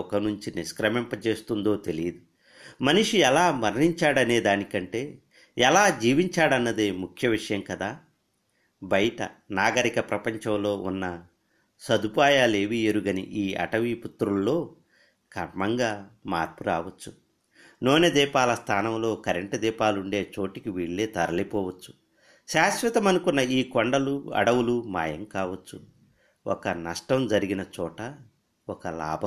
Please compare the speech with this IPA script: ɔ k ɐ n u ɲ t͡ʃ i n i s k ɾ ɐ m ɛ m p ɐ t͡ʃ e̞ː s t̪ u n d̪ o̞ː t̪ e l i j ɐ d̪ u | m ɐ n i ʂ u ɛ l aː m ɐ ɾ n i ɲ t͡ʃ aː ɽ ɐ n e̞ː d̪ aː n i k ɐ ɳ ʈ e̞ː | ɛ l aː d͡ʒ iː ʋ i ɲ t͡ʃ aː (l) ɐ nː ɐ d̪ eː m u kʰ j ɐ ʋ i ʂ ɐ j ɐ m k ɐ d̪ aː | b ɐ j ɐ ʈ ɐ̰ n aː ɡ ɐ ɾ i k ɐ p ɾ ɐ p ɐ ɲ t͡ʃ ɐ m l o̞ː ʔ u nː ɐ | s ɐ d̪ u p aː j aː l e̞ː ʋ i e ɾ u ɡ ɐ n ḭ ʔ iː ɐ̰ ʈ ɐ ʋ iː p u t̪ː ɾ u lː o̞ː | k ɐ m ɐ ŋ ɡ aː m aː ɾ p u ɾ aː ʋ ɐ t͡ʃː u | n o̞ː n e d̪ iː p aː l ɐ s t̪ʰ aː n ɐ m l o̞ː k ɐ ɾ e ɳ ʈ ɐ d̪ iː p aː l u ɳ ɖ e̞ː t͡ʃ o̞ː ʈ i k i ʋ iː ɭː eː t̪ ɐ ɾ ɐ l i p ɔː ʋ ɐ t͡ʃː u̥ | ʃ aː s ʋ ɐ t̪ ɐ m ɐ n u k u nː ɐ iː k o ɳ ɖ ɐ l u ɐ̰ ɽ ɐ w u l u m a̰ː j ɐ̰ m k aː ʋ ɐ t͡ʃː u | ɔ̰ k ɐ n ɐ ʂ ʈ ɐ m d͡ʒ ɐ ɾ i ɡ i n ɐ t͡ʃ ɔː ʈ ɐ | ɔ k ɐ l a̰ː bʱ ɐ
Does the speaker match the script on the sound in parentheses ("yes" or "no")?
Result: no